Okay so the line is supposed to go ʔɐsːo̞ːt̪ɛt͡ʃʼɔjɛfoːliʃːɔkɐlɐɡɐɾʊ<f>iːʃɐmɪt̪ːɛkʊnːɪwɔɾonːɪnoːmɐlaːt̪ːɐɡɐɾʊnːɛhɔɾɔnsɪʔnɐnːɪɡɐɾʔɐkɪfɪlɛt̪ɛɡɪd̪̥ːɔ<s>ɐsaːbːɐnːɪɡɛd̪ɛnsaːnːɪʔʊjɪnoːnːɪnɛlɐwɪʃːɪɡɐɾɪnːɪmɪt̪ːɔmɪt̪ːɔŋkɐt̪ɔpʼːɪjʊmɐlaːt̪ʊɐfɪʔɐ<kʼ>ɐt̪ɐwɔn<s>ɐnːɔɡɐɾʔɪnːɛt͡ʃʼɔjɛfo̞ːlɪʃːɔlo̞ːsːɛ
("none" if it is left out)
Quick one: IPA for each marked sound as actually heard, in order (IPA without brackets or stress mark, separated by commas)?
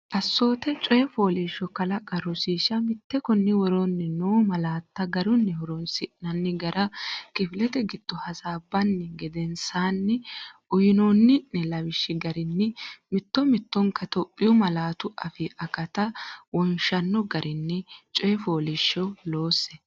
s, h, k, ʃ